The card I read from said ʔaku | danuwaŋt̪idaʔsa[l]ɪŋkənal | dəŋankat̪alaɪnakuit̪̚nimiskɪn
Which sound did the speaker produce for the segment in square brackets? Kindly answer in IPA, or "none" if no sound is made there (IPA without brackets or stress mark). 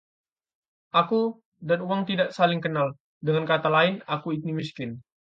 l